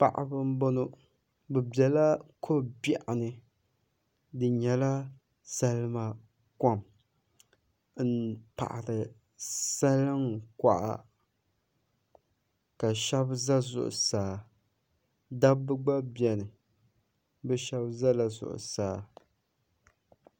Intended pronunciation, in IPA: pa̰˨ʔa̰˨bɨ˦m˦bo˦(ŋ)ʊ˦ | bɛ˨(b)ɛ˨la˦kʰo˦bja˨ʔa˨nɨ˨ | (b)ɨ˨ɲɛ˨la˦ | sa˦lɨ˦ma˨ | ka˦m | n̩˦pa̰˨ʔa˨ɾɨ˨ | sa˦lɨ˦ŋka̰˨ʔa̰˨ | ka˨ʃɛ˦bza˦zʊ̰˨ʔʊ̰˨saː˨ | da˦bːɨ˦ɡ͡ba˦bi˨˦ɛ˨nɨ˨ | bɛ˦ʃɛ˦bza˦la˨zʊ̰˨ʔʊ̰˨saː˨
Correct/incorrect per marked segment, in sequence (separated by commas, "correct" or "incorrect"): incorrect, correct, incorrect